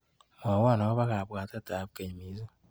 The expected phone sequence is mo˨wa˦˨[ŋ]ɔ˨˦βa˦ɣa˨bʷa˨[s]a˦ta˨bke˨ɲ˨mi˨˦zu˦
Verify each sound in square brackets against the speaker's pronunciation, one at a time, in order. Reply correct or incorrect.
incorrect: n, incorrect: t

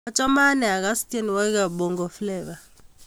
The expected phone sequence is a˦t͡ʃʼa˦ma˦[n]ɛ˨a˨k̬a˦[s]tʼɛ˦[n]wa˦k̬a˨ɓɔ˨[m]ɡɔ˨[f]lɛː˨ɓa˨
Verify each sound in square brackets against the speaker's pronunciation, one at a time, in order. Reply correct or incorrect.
correct, correct, correct, incorrect: ŋ, correct

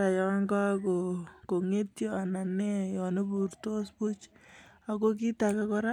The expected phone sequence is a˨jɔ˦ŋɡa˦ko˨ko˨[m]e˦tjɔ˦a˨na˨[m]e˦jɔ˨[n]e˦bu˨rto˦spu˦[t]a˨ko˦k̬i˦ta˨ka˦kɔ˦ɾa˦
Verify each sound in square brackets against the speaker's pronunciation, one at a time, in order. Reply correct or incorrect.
incorrect: ŋ, incorrect: n, correct, incorrect: t͡ʃ

